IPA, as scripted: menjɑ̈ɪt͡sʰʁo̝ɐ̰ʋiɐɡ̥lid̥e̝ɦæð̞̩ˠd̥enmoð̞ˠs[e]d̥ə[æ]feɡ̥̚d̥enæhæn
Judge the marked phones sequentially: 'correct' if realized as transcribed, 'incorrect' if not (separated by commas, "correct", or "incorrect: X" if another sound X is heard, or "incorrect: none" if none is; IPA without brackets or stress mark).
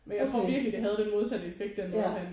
incorrect: æ, incorrect: e